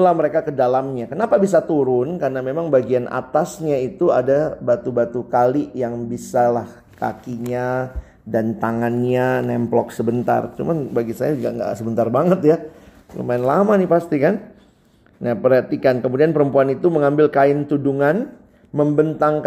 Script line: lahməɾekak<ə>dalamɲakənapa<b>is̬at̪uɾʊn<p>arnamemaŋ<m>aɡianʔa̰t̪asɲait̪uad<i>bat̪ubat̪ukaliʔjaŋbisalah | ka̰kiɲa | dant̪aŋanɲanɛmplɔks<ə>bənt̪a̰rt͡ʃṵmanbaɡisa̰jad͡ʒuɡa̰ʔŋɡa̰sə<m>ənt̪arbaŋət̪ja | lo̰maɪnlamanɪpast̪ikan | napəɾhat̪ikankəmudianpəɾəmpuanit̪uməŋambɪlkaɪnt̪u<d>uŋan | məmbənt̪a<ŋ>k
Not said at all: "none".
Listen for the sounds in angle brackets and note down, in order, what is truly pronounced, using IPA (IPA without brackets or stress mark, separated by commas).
ə, b, k, b, a, ə, b, d, ŋ